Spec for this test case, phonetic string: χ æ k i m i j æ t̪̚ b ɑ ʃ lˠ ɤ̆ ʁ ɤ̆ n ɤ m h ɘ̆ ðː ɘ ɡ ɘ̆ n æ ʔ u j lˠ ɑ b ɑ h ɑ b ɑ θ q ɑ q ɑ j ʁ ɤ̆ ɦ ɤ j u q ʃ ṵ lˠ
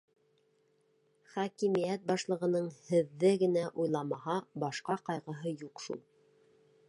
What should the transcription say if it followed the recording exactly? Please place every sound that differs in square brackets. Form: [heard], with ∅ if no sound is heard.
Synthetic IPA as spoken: χ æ k i m i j æ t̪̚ b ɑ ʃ lˠ ɤ̆ ʁ ɤ̆ n ɤ [ɴ] h ɘ̆ ðː ɘ ɡ ɘ̆ n æ ʔ u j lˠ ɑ [m] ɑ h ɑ b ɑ [ʃ] q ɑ q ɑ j ʁ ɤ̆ ɦ ɤ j u q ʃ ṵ lˠ

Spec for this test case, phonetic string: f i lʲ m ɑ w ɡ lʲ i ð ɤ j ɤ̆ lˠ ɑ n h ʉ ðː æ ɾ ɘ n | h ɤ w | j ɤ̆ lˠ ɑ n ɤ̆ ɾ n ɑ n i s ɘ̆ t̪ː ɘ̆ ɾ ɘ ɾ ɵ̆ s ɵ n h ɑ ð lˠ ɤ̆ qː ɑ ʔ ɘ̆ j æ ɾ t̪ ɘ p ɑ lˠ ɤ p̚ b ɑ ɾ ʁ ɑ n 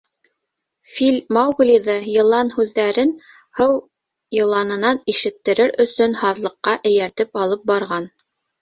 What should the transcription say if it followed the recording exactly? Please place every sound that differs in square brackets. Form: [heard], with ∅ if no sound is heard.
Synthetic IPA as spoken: f i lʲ m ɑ w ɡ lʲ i ð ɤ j ɤ̆ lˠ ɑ n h ʉ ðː æ ɾ ɘ n | h ɤ w | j ɤ̆ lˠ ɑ n ɤ̆ [∅] n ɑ n i [ʃ] ɘ̆ t̪ː ɘ̆ ɾ ɘ ɾ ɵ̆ s ɵ n h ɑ ð lˠ ɤ̆ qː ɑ ʔ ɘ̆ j æ ɾ t̪ ɘ p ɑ lˠ ɤ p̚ b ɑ ɾ ʁ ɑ n

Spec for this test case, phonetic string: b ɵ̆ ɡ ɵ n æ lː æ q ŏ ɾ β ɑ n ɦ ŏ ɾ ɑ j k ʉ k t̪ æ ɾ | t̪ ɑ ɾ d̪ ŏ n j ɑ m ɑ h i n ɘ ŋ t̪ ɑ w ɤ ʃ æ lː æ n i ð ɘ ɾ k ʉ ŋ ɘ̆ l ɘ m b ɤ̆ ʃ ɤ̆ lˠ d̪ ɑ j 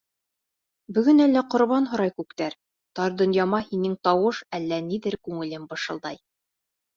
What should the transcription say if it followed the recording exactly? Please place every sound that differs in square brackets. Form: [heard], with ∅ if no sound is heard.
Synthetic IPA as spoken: b ɵ̆ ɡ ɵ n æ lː æ q ŏ ɾ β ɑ n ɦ ŏ ɾ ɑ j k ʉ k t̪ æ ɾ | t̪ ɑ ɾ d̪ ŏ n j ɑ m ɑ h i n ɘ ŋ t̪ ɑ w ɤ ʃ æ lː æ n i ð ɘ ɾ k ʉ ŋ ɘ̆ l ɘ m b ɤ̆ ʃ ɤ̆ lˠ d̪ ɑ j

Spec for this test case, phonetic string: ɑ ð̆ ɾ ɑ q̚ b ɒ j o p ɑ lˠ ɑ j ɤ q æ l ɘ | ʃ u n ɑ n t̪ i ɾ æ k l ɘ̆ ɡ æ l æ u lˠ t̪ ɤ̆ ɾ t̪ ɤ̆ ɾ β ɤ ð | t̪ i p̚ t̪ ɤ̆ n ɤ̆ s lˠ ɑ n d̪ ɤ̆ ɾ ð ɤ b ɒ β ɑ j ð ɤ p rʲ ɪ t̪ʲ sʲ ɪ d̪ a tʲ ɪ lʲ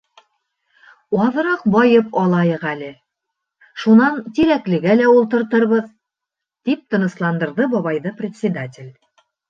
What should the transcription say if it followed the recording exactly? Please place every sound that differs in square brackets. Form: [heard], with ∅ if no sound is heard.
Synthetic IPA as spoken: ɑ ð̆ ɾ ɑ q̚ b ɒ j [ɤ] p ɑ lˠ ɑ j ɤ q æ l ɘ | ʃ u n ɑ n t̪ i ɾ æ k l ɘ̆ ɡ æ l æ u lˠ t̪ ɤ̆ ɾ t̪ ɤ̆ ɾ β ɤ ð | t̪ i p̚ t̪ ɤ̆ n ɤ̆ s lˠ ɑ n d̪ ɤ̆ ɾ ð ɤ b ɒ β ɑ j ð ɤ p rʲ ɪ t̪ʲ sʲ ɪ d̪ a tʲ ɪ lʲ

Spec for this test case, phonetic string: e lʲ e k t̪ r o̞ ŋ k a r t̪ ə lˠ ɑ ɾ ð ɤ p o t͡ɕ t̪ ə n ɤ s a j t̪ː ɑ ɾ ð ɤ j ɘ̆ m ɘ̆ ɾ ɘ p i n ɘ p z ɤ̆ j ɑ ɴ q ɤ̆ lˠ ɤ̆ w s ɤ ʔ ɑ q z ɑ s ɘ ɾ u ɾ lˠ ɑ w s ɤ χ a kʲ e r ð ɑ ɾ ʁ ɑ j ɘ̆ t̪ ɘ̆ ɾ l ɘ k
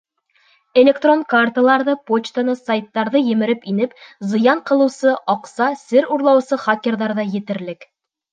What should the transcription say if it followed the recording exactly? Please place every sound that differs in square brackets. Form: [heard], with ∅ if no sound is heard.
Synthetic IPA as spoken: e lʲ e k t̪ r o̞ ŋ k a r t̪ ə lˠ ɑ ɾ ð ɤ p o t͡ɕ t̪ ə n ɤ s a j t̪ː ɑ ɾ ð ɤ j ɘ̆ m ɘ̆ ɾ ɘ p i n ɘ p z ɤ̆ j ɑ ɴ q ɤ̆ lˠ ɤ̆ w s ɤ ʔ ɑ q [s] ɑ s ɘ ɾ u ɾ lˠ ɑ w s ɤ χ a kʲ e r ð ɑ ɾ [ð] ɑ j ɘ̆ t̪ ɘ̆ ɾ l ɘ k

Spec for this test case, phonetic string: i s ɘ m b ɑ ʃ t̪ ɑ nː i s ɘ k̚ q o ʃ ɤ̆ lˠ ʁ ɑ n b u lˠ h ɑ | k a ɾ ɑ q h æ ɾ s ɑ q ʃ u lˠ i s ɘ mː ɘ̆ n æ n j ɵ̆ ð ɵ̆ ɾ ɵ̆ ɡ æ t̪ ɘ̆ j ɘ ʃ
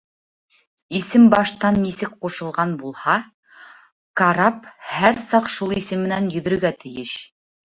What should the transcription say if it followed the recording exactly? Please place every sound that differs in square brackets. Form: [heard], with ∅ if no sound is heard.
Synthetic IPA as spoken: i s ɘ m b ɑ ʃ t̪ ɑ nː i s ɘ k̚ q [u] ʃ ɤ̆ lˠ ʁ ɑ n b u lˠ h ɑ | k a ɾ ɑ [p] h æ ɾ s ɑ q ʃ u lˠ i s ɘ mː ɘ̆ n æ n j ɵ̆ ð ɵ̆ ɾ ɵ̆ ɡ æ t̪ ɘ̆ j ɘ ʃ

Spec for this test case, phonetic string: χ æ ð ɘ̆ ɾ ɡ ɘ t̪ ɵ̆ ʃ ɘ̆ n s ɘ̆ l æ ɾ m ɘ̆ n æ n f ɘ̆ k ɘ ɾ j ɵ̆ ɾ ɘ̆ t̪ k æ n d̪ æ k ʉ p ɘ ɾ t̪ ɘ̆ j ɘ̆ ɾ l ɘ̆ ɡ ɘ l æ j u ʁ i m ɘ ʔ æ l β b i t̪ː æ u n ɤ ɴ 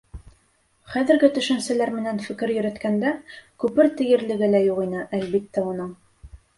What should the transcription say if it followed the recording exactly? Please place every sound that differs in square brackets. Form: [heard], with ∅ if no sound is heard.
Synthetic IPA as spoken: χ æ ð ɘ̆ ɾ ɡ ɘ t̪ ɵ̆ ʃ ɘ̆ n s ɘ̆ l æ ɾ m ɘ̆ n æ n f ɘ̆ k ɘ ɾ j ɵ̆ ɾ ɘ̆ t̪ k æ n d̪ æ k ʉ p ɘ ɾ t̪ ɘ̆ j ɘ̆ ɾ l ɘ̆ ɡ ɘ l æ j u ʁ i [n] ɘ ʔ æ l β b i t̪ː æ u n ɤ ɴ

